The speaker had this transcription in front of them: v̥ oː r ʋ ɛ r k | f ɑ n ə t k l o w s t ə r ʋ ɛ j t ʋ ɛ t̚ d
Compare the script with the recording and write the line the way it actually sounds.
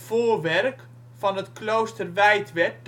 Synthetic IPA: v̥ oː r ʋ ɛ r k | f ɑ n ə t k l o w s t ə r ʋ ɛ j t ʋ ɛ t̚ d